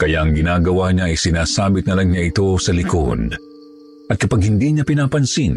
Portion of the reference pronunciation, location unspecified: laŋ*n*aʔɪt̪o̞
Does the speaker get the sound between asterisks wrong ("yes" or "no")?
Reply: yes